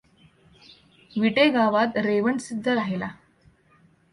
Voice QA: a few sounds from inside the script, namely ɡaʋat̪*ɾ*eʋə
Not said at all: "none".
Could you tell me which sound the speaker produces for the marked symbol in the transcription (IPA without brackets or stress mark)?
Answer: ɾ